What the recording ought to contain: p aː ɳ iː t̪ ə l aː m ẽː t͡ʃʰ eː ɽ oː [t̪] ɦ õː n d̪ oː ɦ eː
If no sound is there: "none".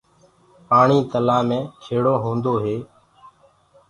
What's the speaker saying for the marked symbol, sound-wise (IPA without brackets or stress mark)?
none